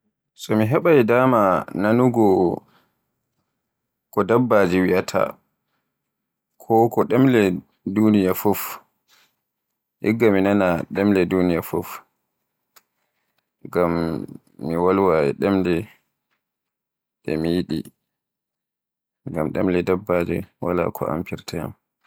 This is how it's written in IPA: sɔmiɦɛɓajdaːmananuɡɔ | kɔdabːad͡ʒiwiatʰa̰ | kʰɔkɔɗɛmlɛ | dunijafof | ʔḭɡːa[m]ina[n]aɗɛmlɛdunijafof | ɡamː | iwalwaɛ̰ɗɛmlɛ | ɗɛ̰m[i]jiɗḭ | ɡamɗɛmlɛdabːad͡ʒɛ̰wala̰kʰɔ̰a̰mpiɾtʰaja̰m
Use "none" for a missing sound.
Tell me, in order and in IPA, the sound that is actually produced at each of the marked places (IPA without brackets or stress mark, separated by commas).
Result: m, n, i